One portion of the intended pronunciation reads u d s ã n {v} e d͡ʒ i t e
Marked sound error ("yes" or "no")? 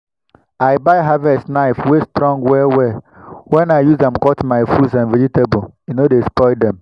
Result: no